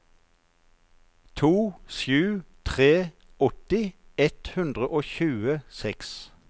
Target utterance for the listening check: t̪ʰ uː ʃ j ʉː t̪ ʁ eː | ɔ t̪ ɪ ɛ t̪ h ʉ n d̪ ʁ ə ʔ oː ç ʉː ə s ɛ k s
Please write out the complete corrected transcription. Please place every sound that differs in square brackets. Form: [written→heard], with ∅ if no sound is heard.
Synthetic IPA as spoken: t̪ʰ uː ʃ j ʉː [t̪→t̪ʰ] ʁ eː | ɔ t̪ ɪ ɛ t̪ h ʉ n d̪ ʁ ə ʔ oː ç ʉː ə s ɛ k s